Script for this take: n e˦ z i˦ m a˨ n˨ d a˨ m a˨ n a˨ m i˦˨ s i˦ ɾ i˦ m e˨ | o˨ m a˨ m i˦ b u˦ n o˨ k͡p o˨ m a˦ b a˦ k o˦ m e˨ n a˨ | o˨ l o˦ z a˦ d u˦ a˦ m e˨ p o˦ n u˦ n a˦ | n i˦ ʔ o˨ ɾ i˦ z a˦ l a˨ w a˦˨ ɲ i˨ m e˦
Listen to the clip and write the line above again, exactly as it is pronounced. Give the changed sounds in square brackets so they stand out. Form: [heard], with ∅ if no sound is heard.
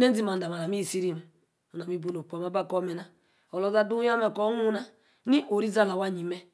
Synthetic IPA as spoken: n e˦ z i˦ m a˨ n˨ d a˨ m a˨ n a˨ m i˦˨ s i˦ ɾ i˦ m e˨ | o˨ [n] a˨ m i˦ b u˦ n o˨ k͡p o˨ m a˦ b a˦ k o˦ m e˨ n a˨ | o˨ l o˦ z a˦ d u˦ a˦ m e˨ [k] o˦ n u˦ n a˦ | n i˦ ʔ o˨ ɾ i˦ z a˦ l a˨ w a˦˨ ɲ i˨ m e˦

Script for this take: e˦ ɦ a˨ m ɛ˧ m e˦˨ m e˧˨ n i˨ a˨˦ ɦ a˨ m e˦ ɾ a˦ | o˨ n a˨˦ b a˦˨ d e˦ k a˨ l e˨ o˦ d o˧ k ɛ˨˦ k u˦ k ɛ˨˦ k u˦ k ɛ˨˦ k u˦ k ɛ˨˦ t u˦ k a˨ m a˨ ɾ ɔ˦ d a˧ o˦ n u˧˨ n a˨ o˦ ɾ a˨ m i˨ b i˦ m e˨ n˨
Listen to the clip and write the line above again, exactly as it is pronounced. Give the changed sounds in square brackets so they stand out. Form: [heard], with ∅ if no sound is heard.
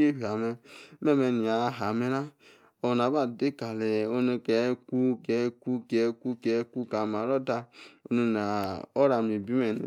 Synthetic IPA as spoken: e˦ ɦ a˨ m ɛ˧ m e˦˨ m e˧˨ n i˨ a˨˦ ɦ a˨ m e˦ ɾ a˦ | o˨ n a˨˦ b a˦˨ d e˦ k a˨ l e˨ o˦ [n] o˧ k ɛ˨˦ k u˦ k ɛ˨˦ k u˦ k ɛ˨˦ k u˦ k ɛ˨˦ [k] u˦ k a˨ m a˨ ɾ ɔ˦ d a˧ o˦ n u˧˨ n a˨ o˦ ɾ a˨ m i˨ b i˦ m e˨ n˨

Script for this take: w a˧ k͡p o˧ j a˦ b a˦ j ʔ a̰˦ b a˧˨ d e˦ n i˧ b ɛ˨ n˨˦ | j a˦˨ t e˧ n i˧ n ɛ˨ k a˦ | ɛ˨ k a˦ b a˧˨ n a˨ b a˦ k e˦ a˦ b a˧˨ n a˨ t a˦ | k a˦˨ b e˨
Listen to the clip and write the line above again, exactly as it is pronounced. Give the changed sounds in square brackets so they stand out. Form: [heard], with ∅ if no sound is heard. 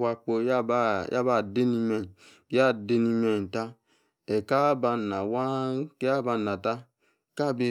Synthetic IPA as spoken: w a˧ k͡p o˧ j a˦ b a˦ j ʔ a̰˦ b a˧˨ d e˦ n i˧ [m] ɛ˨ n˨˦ | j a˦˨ [d] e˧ n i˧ [m] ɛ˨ [t] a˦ | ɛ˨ k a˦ b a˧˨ n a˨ [w] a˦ k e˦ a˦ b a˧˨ n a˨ t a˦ | k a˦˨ b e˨

